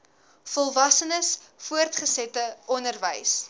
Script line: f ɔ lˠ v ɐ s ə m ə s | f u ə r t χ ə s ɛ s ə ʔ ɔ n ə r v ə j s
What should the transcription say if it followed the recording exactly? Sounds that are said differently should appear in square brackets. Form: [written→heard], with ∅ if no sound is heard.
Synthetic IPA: f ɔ lˠ v ɐ s ə [m→n] ə s | f u ə r t χ ə s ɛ [s→t] ə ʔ ɔ n ə r v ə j s